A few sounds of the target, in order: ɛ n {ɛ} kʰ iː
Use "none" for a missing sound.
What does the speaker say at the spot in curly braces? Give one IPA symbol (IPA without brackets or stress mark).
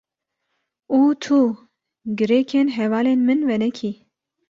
ɛ